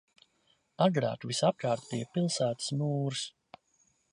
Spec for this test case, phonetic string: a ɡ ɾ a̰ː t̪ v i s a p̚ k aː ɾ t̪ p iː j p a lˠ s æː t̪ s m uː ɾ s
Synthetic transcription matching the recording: a ɡ ɾ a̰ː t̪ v i s a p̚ k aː ɾ t̪ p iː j p i lˠ s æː t̪ s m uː ɾ s